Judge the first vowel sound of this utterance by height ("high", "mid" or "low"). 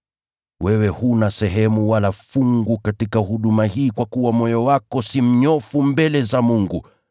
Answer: mid